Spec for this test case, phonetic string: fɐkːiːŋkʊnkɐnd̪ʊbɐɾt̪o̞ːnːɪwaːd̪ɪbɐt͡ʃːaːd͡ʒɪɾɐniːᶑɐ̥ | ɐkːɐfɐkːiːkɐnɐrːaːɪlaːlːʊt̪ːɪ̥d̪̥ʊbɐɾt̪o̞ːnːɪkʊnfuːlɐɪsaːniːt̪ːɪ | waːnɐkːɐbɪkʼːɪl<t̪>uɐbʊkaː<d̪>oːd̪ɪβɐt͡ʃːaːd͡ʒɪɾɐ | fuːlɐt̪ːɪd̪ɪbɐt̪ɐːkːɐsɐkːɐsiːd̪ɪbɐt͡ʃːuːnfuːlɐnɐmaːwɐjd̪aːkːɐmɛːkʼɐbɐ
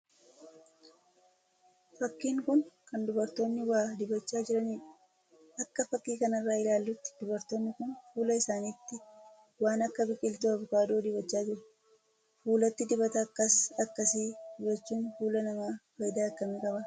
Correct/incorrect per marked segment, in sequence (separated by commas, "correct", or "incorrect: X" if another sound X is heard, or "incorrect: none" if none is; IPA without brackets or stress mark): correct, correct